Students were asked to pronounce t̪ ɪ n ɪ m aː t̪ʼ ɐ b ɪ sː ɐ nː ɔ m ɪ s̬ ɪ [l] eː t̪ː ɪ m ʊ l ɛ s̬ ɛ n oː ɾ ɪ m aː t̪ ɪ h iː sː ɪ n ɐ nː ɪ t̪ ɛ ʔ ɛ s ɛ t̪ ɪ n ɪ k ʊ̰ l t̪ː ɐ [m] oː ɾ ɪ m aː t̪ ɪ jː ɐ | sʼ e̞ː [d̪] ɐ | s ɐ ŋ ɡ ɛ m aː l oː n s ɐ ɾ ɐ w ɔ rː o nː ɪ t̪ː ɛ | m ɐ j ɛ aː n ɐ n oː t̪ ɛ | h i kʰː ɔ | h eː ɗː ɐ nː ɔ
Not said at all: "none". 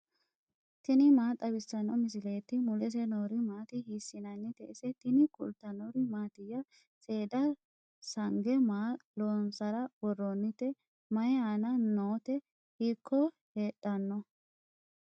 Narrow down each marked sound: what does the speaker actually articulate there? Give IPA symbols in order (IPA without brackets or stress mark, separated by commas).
l, n, d̪